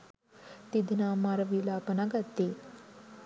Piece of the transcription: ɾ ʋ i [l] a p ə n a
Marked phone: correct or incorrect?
correct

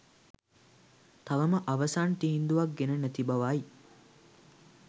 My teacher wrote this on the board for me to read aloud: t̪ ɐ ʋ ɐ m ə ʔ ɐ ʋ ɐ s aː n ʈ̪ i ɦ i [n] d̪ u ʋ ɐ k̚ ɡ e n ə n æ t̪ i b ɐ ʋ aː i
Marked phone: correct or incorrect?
correct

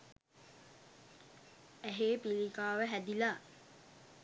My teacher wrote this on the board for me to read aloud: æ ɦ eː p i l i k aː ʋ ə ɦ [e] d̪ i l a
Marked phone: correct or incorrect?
incorrect: æ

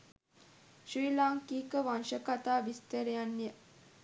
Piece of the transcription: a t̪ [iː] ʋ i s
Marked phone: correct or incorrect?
incorrect: aː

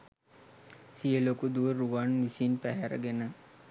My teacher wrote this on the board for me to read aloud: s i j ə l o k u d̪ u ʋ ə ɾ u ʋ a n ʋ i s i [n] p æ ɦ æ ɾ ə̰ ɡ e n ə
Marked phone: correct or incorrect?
correct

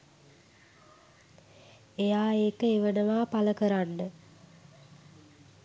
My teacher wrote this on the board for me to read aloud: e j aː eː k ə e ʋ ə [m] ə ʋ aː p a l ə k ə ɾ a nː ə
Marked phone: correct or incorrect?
incorrect: n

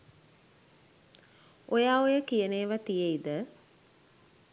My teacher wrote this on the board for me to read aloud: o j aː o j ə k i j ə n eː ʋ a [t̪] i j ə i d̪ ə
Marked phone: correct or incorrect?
correct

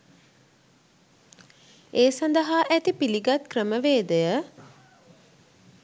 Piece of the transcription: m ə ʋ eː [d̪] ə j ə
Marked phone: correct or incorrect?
correct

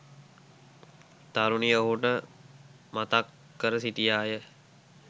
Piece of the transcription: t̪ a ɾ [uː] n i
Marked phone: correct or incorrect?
incorrect: u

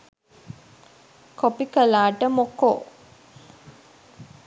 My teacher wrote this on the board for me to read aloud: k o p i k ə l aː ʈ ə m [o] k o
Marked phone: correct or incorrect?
correct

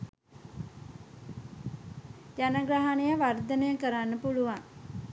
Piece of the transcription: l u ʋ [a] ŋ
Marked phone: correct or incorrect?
correct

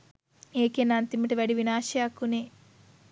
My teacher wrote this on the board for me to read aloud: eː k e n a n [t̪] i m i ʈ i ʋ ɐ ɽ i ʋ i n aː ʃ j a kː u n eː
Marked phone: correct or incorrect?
correct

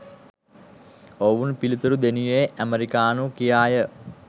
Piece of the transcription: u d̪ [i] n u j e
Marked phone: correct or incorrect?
incorrect: e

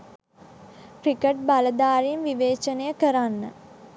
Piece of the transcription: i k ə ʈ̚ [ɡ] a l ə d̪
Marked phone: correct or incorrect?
incorrect: b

